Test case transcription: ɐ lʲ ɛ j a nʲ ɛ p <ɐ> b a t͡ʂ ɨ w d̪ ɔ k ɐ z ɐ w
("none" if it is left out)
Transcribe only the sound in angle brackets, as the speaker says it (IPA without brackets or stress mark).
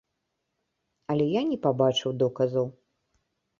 a